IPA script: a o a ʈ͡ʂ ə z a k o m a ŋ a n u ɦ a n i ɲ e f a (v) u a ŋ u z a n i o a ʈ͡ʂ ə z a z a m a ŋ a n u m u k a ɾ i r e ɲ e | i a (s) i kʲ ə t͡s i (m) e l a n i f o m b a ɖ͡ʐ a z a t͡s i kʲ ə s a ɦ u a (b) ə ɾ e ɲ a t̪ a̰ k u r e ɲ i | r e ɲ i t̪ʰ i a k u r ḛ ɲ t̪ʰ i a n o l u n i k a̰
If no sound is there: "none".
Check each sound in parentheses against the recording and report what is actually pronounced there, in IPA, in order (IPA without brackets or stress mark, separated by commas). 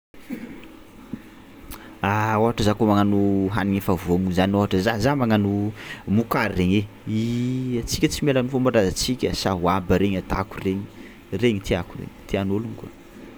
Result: v, t͡s, m, b